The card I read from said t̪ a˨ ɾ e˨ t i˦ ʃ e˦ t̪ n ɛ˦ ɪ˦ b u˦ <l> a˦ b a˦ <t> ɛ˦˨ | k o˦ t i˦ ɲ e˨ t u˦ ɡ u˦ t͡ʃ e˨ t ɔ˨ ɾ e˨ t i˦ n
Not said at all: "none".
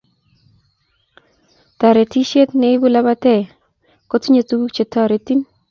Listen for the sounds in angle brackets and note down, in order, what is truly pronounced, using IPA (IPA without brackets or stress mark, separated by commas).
l, t